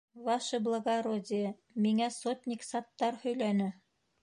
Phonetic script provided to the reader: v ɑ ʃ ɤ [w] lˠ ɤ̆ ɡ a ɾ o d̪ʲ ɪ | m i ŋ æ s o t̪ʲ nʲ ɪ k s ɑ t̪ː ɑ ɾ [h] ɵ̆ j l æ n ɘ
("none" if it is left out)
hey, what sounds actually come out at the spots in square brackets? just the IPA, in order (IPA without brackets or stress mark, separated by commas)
b, h